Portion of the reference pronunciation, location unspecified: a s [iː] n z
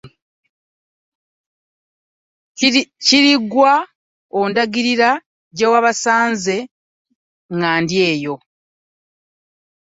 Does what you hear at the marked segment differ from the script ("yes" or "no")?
yes